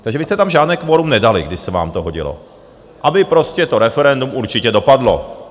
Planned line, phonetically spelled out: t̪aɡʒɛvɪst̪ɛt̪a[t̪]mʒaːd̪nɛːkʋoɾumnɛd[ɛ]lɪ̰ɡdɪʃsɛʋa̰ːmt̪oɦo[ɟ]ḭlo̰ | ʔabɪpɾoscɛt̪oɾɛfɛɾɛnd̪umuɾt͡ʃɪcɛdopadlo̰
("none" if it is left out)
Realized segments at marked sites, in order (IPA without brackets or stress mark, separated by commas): none, a, ɟ